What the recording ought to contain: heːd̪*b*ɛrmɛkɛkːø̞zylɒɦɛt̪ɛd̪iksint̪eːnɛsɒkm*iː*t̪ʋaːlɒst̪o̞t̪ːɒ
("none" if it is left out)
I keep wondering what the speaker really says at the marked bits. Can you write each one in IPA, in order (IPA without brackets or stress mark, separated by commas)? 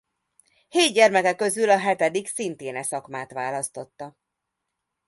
ɟ, aː